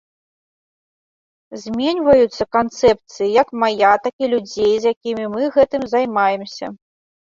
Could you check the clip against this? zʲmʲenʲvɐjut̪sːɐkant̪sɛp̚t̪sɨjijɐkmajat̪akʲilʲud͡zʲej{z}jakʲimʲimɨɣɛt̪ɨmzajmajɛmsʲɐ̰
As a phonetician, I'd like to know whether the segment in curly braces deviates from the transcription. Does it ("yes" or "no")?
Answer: no